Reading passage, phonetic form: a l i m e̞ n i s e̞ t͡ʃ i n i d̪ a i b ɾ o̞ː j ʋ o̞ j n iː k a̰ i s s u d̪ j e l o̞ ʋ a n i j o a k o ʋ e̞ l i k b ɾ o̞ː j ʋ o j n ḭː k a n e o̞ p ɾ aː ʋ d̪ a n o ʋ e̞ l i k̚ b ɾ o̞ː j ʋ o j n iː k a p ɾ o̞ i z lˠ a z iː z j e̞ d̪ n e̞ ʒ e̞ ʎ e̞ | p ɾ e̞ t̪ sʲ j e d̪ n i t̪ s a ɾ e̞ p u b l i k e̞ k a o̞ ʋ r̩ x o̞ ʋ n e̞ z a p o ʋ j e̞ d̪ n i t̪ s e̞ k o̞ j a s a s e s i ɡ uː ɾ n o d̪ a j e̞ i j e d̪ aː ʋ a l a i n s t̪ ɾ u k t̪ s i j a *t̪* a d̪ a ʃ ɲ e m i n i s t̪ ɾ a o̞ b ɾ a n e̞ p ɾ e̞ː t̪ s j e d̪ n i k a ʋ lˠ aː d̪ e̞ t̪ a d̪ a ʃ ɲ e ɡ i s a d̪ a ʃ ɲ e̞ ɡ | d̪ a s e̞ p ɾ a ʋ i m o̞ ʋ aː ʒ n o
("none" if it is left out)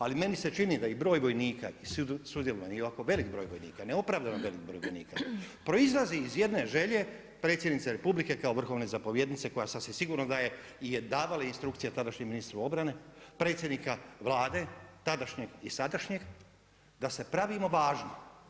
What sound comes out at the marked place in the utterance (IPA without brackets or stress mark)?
t̪